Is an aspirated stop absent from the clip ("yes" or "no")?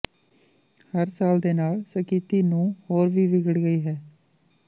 yes